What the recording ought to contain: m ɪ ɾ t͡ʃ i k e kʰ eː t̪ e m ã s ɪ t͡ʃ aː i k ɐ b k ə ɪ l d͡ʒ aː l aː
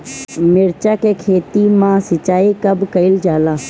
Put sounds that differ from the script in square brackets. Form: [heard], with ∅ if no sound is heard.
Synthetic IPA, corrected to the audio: m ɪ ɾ t͡ʃ [a] k e kʰ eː t̪ [i] m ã s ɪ t͡ʃ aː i k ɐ b k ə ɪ l d͡ʒ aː l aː